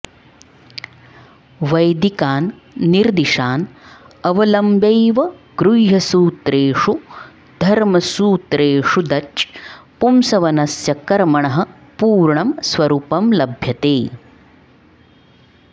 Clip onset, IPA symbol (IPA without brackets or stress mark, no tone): ʋ